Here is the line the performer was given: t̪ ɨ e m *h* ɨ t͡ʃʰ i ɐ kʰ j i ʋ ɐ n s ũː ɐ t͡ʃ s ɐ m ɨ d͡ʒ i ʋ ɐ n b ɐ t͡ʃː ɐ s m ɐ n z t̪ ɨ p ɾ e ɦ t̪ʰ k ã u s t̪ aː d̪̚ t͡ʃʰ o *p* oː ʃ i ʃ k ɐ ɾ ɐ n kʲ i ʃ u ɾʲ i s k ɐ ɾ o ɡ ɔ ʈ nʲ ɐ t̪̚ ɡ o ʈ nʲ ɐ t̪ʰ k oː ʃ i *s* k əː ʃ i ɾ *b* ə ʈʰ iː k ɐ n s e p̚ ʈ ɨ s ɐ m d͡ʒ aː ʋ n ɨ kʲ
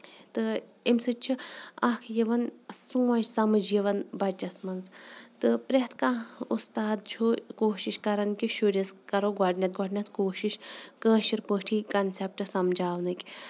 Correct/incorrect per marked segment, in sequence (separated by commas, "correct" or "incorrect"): incorrect, incorrect, incorrect, incorrect